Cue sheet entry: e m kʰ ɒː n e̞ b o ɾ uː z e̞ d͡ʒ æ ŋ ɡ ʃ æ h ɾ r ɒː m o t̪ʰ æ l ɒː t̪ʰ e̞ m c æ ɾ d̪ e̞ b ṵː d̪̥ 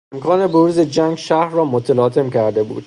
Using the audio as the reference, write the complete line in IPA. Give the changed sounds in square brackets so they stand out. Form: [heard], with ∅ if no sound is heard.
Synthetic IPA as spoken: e m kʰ ɒː n e̞ b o ɾ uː z e̞ d͡ʒ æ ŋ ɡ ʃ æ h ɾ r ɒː m o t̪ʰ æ l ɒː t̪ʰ e̞ m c æ ɾ d̪ e̞ b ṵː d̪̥